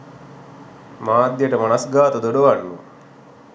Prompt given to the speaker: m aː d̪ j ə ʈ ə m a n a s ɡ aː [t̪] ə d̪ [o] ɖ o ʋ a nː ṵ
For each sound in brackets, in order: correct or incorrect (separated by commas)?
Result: correct, correct